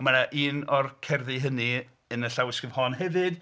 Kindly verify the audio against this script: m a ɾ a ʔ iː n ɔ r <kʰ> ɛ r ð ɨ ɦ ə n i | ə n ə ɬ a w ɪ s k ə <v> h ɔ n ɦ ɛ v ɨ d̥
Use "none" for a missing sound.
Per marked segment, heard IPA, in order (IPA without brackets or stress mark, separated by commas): kʰ, v